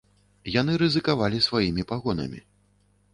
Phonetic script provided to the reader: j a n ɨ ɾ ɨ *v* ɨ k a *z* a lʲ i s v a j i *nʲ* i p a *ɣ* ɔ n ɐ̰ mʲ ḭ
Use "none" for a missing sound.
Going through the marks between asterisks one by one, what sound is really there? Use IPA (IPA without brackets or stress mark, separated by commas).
z, v, mʲ, ɣ